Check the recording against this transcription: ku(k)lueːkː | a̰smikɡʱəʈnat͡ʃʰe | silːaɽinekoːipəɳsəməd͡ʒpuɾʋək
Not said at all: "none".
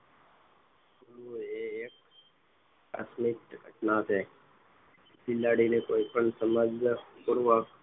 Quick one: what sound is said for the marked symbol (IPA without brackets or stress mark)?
none